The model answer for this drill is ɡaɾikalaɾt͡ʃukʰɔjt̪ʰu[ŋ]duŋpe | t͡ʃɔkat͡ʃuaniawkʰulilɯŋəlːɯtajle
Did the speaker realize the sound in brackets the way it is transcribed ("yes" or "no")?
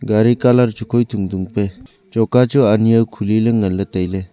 yes